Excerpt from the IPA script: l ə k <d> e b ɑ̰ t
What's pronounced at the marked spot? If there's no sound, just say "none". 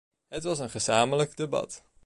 d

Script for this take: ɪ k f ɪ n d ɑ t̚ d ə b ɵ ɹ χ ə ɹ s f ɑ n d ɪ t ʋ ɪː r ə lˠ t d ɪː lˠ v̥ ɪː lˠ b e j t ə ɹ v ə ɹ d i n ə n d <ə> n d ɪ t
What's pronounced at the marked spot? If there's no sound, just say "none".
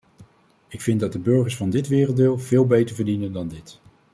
ɑ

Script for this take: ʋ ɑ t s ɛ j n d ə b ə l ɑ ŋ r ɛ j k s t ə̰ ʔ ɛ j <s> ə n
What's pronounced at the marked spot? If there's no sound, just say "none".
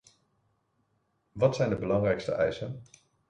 s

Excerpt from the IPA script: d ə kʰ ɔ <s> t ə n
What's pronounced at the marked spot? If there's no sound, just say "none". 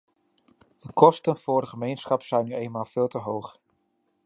s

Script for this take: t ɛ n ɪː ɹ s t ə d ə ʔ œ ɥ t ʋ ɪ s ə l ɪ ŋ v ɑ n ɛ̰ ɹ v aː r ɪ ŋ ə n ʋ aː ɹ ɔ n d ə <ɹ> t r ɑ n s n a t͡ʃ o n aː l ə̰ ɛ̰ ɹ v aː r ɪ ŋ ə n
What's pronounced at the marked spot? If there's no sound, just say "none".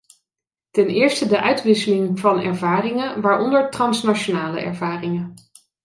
ɹ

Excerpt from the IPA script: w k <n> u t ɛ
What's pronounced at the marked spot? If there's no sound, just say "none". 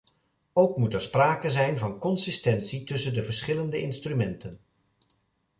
m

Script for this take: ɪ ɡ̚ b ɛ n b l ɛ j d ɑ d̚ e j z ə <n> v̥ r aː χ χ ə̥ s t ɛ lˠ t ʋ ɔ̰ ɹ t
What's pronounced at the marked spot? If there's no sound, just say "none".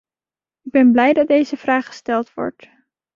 none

